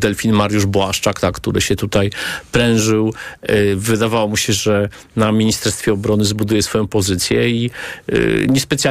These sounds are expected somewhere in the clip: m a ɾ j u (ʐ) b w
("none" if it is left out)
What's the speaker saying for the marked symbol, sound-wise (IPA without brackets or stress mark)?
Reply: ʐ